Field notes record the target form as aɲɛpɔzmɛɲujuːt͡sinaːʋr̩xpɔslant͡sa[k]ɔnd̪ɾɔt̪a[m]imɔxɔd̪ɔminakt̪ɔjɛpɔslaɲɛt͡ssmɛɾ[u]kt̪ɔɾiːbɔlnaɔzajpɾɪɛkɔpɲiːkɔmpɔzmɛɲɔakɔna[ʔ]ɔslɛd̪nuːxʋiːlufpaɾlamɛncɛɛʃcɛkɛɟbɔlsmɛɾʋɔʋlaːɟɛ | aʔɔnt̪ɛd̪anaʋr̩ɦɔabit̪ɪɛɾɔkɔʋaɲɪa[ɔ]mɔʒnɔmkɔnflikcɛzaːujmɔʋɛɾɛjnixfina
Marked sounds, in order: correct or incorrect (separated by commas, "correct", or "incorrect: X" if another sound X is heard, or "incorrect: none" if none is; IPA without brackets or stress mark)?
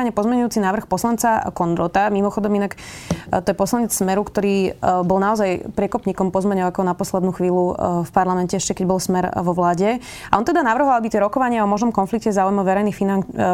correct, correct, correct, incorrect: p, correct